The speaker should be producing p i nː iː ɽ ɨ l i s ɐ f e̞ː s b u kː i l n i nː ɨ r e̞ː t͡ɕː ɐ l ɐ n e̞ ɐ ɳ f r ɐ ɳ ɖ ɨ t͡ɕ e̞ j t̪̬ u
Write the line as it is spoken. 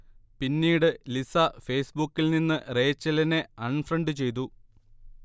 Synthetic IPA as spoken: p i nː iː ɽ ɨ l i s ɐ f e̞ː s b u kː i l n i nː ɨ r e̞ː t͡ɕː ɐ l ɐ n e̞ ɐ ɳ f r ɐ ɳ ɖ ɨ t͡ɕ e̞ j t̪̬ u

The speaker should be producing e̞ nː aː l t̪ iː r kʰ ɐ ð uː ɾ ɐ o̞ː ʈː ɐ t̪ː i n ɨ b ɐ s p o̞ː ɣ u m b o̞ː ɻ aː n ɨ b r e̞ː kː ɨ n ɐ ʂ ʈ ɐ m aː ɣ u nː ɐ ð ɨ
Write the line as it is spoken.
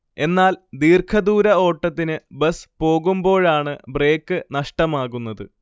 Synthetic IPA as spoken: e̞ nː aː l d̪ iː r kʰ ɐ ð uː ɾ ɐ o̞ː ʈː ɐ t̪ː i n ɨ b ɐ s p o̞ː ɣ u m b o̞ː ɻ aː ɳ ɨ b r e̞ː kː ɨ n ɐ ʂ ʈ ɐ m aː ɣ u nː ɐ ð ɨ

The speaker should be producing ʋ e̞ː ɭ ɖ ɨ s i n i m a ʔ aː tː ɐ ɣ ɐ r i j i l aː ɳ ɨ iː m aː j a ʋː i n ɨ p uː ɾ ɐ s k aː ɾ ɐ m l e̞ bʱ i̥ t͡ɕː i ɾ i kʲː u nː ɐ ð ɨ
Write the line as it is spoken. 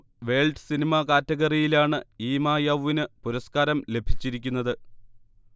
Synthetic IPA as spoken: ʋ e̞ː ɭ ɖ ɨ s i n i m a k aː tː ɐ ɣ ɐ r i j i l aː ɳ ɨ iː m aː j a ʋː i n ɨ p u ɾ ɐ s k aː ɾ ɐ m l e̞ bʱ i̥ t͡ɕː i ɾ i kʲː u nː ɐ ð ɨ

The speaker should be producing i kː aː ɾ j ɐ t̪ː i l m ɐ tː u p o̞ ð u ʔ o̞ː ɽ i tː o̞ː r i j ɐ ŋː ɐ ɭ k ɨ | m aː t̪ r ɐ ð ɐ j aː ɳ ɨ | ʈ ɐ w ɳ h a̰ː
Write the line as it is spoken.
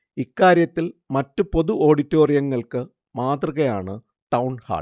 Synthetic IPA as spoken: i kː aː ɾ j ɐ t̪ː i l m ɐ tː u p o̞ ð u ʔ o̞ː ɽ i tː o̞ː r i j ɐ ŋː ɐ ɭ k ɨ | m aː t̪ r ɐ ɣ ɐ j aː ɳ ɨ | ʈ ɐ w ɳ h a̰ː

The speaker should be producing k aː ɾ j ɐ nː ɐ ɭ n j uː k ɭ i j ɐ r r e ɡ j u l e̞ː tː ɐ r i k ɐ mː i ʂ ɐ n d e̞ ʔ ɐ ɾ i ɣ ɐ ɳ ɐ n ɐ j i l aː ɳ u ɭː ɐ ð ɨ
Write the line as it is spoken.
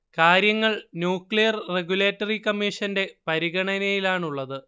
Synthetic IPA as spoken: k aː ɾ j ɐ ŋː ɐ ɭ n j uː k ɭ i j ɐ r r e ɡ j u l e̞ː tː ɐ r i k ɐ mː i ʂ ɐ n d e̞ p ɐ ɾ i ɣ ɐ ɳ ɐ n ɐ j i l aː ɳ u ɭː ɐ ð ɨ

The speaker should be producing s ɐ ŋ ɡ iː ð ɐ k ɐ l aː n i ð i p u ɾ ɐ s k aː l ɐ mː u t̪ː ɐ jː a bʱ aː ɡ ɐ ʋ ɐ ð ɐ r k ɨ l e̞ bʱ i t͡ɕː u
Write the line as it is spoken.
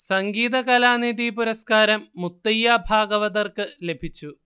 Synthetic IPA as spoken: s ɐ ŋ ɡ iː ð ɐ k ɐ l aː n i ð i p u ɾ ɐ s k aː ɾ ɐ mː u t̪ː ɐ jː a bʱ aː ɡ ɐ ʋ ɐ ð ɐ r k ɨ l e̞ bʱ i t͡ɕː u

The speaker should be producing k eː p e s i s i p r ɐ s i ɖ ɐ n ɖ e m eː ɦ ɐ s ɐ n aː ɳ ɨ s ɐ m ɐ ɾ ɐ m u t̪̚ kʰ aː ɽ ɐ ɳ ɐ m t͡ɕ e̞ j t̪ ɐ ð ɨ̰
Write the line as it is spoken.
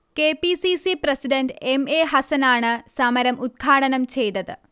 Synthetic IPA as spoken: k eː p i s i s i p r ɐ s i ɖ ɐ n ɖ e m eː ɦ ɐ s ɐ n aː ɳ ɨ s ɐ m ɐ ɾ ɐ m u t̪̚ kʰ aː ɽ ɐ n ɐ m t͡ɕ e̞ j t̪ ɐ ð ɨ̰

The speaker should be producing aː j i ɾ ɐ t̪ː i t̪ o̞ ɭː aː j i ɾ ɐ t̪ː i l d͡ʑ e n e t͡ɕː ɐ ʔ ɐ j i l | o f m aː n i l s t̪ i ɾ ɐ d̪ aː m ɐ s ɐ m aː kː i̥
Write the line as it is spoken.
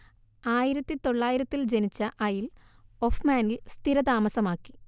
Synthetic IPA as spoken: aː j i ɾ ɐ t̪ː i t̪ o̞ ɭː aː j i ɾ ɐ t̪ː i l d͡ʑ e n i t͡ɕː ɐ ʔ ɐ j i l | o f m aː n i l s t̪ i ɾ ɐ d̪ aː m ɐ s ɐ m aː kː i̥

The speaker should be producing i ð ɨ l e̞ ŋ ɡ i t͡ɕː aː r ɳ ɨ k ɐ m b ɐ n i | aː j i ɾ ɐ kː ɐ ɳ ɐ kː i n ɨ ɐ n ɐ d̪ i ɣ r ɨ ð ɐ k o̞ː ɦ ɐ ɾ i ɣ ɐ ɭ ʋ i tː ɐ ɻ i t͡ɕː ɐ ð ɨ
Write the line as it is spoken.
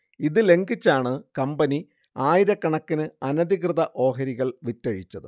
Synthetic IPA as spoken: i ð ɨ l e̞ ŋ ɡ i t͡ɕː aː ɳ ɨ k ɐ m b ɐ n i | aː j i ɾ ɐ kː ɐ ɳ ɐ kː i n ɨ ɐ n ɐ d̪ i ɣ r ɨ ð ɐ ʔ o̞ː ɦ ɐ ɾ i ɣ ɐ ɭ ʋ i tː ɐ ɻ i t͡ɕː ɐ ð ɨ

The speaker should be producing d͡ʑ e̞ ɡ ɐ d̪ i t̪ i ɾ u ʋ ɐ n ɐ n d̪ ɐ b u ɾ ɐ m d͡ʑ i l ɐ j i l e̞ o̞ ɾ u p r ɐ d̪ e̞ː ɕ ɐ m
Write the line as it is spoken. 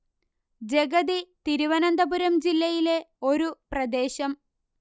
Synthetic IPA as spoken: d͡ʑ e̞ ɡ ɐ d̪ i t̪ i ɾ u ʋ ɐ n ɐ n d̪ ɐ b u ɾ ɐ m d͡ʑ i lː ɐ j i l e̞ o̞ ɾ u p r ɐ d̪ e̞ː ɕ ɐ m

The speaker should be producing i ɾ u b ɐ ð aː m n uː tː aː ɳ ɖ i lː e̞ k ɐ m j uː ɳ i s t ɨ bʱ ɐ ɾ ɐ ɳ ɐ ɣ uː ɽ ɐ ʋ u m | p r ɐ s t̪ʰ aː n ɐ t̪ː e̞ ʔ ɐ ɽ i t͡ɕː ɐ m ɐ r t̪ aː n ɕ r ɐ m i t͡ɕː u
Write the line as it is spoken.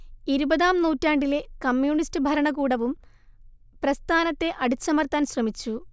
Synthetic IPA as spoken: i ɾ u b ɐ ð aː m n uː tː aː ɳ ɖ i l e̞ k ɐ m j uː ɳ i s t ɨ bʱ ɐ ɾ ɐ ɳ ɐ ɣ uː ɽ ɐ ʋ u m | p r ɐ s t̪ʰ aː n ɐ t̪ː e̞ ʔ ɐ ɽ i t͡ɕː ɐ m ɐ r t̪ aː n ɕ r ɐ m i t͡ɕː u

